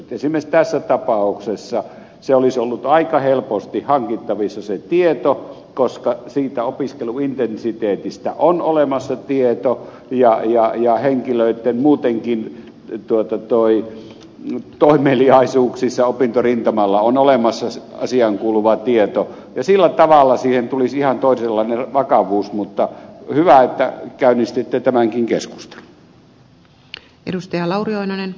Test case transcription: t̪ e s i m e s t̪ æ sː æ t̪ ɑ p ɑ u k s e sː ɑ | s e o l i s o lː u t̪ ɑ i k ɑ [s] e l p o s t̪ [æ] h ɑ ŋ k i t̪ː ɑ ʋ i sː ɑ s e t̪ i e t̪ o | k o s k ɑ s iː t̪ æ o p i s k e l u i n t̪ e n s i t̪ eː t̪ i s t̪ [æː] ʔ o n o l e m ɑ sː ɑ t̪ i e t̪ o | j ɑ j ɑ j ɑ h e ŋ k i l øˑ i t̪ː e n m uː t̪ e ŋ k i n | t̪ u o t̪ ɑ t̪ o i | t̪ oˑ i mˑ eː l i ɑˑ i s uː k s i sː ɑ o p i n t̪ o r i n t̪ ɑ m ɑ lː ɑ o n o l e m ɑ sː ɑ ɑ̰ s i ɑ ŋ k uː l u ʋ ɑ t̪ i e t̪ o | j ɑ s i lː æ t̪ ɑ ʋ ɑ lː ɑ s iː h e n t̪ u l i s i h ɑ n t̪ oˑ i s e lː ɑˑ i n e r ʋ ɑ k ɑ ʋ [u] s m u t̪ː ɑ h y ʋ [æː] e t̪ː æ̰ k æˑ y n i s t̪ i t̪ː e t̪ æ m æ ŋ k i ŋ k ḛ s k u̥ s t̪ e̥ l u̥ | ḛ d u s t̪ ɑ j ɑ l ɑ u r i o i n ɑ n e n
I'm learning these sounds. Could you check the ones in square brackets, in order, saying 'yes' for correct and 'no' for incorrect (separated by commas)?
no, no, no, no, no